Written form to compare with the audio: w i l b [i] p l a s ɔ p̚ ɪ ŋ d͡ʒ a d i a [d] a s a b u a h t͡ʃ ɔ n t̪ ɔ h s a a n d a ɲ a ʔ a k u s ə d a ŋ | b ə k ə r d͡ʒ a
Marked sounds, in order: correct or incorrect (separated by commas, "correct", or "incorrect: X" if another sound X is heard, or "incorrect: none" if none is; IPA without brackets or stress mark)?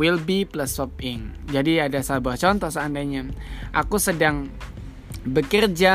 correct, correct